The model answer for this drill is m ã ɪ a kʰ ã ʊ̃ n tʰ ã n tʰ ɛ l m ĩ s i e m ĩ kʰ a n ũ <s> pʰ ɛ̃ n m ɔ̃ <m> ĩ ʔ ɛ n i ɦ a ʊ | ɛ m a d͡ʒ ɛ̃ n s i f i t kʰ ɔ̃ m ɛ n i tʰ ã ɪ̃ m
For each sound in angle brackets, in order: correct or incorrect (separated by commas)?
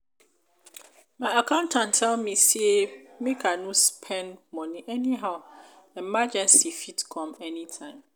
correct, incorrect